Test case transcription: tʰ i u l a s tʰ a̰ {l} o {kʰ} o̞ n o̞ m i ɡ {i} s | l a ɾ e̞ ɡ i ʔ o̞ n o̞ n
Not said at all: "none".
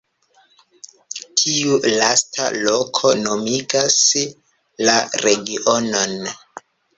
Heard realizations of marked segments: l, kʰ, a

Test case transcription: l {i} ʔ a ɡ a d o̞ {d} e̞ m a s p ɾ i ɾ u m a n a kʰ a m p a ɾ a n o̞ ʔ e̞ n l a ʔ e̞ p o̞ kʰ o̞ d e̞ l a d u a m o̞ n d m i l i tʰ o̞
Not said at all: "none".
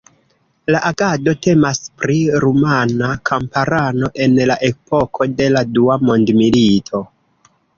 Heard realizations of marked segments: a, t

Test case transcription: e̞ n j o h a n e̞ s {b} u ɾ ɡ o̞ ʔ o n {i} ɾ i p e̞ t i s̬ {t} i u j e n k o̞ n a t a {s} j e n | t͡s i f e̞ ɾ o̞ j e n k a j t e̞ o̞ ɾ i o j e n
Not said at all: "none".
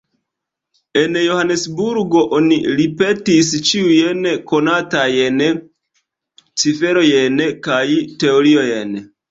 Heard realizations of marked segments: b, i, t͡ʃ, none

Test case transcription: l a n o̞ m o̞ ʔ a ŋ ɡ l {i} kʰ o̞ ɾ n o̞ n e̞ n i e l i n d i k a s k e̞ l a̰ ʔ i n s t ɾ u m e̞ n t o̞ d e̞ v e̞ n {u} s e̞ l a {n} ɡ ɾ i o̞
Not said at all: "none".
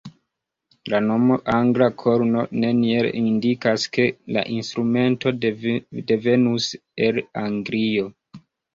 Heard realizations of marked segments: a, u, ŋ

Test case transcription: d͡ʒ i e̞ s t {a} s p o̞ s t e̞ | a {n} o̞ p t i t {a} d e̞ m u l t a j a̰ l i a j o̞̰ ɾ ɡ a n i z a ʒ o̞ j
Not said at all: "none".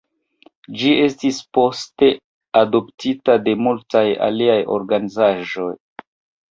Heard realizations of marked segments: i, d, a

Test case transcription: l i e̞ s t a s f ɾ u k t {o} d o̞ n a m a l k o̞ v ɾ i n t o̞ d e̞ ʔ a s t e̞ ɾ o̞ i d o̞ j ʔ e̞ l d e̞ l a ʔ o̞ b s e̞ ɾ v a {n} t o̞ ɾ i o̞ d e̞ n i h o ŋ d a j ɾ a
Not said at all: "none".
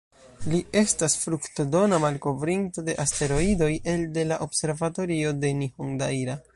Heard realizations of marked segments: o, none

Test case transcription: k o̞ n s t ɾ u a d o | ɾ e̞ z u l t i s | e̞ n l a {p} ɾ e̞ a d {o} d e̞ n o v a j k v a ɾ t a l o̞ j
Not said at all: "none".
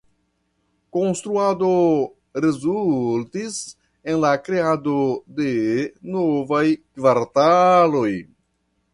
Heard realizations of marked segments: k, o

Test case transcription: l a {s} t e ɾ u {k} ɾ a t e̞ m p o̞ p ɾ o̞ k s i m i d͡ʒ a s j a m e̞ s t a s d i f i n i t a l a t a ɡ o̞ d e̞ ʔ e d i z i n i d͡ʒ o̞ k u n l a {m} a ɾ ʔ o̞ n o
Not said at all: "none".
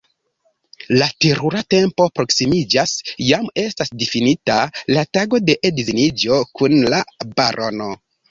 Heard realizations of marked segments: none, none, b

